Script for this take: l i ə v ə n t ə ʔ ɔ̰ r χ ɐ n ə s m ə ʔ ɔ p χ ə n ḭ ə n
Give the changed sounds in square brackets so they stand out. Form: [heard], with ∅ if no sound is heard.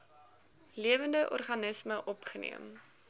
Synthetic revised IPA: l i ə v ə n [d] ə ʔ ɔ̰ r χ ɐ n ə s m ə ʔ ɔ p χ ə n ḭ ə [m]

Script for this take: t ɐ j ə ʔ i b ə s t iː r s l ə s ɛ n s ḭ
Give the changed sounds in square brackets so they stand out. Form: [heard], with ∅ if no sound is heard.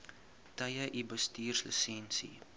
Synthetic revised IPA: t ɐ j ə ʔ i b ə s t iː r s l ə s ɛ n s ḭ

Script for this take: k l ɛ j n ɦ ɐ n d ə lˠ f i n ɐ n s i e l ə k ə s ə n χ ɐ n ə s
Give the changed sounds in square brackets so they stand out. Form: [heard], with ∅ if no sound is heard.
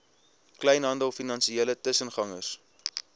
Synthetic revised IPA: k l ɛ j n ɦ ɐ n d ə lˠ f i n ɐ n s i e l ə [t] ə s ə n χ ɐ [ŋ] ə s

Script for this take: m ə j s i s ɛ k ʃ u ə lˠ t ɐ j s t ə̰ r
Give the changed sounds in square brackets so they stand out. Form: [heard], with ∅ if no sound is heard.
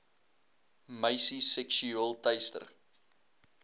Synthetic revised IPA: m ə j s i s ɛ k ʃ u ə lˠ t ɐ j s t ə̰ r

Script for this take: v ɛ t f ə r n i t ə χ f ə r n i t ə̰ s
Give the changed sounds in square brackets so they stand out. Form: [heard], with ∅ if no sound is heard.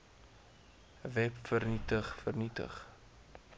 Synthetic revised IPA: v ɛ [p] f ə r n i t ə χ f ə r n i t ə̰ [χ]

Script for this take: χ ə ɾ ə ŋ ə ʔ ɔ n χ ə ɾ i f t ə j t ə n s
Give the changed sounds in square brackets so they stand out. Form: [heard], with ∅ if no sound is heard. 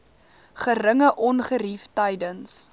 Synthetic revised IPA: χ ə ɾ ə ŋ ə ʔ ɔ n χ ə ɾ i f t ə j [d] ə n s

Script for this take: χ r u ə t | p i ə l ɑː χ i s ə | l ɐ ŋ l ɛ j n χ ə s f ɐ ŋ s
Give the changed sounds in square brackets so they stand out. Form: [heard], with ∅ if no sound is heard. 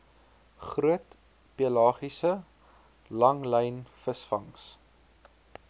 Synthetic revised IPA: χ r u ə t | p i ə l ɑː χ i s ə | l ɐ ŋ l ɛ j n [f] ə s f ɐ ŋ s

